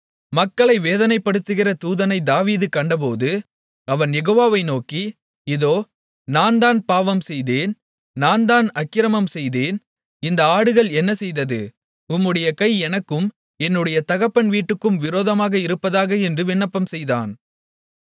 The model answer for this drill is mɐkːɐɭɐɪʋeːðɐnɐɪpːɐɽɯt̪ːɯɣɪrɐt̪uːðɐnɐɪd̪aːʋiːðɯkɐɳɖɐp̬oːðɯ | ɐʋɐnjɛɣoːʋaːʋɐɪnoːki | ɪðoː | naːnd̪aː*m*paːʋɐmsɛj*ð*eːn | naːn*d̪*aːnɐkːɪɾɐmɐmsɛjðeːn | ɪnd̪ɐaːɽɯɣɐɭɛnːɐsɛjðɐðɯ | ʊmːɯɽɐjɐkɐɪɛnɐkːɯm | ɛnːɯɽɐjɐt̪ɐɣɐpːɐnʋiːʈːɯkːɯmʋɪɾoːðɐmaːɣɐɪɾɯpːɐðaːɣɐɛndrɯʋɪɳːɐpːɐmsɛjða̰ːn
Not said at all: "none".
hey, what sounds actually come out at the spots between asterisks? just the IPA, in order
n, ð, d̪

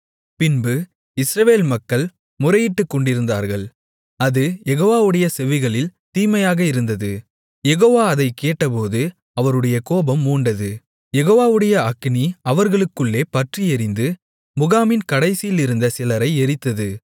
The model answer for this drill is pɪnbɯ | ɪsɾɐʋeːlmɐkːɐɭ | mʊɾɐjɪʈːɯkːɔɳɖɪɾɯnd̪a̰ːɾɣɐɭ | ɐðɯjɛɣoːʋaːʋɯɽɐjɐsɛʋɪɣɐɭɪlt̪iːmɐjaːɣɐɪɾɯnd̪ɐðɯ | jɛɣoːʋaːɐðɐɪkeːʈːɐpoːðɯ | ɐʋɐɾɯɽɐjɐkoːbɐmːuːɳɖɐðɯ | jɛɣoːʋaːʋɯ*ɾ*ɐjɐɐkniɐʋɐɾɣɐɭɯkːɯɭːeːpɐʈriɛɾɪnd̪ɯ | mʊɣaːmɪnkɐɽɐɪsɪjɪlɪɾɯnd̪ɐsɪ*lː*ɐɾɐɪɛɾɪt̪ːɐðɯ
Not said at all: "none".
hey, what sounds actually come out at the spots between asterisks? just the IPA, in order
ɽ, l

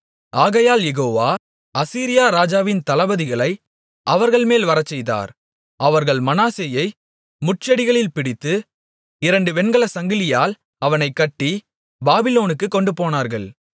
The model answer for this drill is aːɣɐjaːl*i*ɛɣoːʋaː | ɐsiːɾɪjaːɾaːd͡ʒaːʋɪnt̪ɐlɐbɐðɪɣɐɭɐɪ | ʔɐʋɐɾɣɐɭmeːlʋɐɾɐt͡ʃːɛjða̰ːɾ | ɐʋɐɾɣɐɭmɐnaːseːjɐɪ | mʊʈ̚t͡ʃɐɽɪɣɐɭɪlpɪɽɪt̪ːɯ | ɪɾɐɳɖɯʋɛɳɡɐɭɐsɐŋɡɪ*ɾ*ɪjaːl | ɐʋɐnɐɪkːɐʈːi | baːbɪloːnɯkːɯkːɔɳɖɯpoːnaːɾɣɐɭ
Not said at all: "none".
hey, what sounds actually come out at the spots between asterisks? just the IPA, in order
j, l

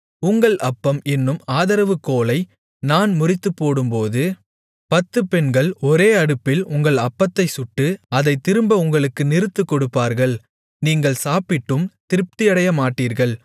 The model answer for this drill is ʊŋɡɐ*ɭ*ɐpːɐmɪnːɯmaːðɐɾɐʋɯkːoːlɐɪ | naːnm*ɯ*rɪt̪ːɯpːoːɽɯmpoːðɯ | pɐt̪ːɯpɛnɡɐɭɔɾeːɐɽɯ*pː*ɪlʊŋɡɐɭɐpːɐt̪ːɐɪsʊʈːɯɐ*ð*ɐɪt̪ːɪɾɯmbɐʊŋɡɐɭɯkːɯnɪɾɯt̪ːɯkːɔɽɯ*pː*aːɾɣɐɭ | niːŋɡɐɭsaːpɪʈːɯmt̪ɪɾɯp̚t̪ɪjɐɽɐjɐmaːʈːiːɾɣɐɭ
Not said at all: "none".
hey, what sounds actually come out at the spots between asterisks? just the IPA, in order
ɭ, ʊ, pː, ð, pː

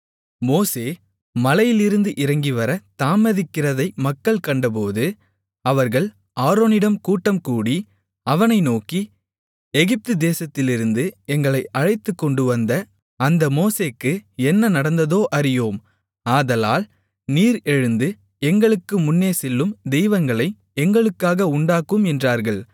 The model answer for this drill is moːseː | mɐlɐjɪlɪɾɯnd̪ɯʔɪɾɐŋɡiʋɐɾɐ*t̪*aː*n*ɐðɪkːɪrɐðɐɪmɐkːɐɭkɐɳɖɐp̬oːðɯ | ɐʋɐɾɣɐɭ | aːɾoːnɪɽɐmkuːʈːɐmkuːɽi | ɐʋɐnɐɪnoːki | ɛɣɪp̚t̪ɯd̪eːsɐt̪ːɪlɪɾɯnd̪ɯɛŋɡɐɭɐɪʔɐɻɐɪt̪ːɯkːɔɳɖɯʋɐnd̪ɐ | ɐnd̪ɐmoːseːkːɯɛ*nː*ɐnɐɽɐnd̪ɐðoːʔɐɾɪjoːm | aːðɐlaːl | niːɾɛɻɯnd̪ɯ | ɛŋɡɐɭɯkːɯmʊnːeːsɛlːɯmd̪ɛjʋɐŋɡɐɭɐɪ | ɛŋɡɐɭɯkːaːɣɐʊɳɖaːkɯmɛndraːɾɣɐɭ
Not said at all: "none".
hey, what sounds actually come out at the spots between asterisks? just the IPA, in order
t̪, m, nː

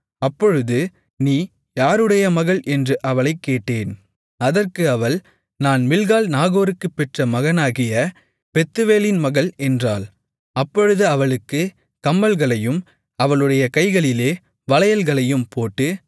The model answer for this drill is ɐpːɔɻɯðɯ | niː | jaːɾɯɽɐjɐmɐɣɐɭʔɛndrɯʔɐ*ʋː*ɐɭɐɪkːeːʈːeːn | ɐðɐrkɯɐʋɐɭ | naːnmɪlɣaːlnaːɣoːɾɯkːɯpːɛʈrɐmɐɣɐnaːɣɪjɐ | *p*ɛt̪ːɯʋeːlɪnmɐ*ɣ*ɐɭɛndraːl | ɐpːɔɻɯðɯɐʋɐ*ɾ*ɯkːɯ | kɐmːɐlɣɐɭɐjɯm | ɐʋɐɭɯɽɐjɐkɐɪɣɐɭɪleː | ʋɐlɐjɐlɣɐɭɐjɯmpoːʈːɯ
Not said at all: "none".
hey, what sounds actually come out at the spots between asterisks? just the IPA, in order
ʋ, p, ɣ, ɭ

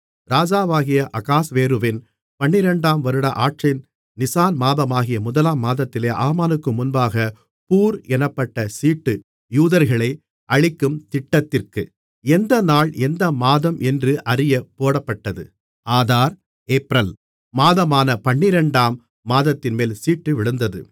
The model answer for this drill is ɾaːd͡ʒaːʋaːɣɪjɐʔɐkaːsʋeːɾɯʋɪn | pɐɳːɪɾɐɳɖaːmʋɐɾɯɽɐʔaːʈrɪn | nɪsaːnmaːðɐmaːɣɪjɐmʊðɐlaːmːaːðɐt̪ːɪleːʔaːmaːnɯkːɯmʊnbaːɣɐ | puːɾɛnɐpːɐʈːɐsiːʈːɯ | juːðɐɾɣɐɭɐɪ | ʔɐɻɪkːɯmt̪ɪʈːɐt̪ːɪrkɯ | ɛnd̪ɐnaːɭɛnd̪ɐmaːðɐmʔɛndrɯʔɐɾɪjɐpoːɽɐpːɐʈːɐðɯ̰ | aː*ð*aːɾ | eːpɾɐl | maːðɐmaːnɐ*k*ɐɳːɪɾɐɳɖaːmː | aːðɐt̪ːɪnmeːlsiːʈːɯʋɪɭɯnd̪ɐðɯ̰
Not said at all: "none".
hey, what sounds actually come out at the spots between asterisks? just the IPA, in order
ð, p

